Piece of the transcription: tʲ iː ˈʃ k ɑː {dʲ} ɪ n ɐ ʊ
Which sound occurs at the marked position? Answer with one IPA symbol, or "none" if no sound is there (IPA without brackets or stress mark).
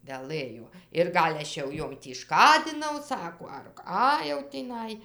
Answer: dʲ